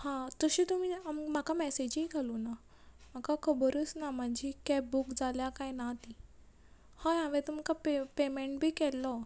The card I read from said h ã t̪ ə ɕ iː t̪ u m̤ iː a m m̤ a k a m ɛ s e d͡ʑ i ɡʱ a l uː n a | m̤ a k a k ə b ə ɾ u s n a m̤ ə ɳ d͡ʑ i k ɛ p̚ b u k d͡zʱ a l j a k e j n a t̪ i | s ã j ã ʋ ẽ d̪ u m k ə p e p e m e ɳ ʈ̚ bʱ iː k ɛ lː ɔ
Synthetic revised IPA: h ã t̪ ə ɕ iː t̪ u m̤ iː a m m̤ a k a m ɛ s e d͡ʑ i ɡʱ a l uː n a | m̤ a k a k ə b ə ɾ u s n a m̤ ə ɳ d͡ʑ i k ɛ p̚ b u k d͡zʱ a l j a k a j n a t̪ i | h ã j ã ʋ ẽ t̪ u m k a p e p e m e ɳ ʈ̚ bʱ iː k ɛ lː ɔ